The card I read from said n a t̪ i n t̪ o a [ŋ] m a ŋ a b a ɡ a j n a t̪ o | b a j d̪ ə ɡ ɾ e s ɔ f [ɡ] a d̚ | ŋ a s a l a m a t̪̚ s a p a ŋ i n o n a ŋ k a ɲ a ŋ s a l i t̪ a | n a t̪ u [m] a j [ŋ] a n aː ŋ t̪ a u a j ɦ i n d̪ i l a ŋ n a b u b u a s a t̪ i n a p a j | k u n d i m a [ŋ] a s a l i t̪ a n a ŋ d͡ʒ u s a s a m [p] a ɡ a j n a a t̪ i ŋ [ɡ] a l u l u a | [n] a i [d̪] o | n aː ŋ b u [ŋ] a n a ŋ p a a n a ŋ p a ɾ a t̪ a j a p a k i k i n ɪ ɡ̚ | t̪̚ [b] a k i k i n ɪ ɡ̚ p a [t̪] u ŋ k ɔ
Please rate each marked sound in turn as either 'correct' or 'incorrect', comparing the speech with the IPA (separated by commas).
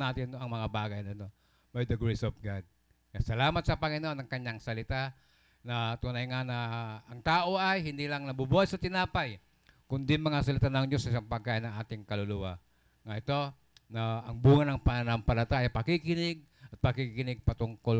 correct, correct, incorrect, correct, correct, correct, incorrect, incorrect, incorrect, correct, incorrect, correct